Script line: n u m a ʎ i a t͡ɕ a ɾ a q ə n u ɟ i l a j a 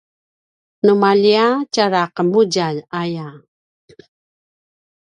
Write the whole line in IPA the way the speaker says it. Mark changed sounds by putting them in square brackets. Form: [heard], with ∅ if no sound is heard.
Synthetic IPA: n u m a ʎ i a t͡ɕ a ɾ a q ə [m] u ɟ [a] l a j a